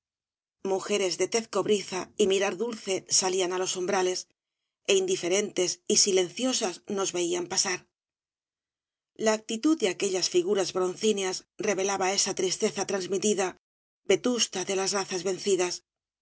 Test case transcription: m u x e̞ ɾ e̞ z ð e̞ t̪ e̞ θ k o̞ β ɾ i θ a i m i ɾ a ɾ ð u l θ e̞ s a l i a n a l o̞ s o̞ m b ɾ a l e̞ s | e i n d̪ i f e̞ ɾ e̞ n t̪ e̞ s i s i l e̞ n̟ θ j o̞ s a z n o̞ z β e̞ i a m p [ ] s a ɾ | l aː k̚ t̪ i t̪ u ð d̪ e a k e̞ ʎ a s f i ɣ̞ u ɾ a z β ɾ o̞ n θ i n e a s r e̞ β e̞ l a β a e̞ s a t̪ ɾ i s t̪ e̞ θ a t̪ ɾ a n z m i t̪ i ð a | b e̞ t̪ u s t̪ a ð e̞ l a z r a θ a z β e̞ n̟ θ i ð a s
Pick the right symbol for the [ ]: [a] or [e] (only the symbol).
a